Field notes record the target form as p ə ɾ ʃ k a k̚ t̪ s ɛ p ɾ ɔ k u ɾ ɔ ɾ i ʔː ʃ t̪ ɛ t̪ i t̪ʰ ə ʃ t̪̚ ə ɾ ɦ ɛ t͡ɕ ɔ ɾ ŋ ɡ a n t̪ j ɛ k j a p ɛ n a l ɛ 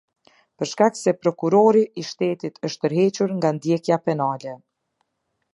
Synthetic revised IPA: p ə ɾ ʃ k a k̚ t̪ s ɛ p ɾ ɔ k u ɾ ɔ ɾ i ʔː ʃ t̪ ɛ t̪ i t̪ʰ ə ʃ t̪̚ ə ɾ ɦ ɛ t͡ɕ u ɾ ŋ ɡ a n d̪ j ɛ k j a p ɛ n a l ɛ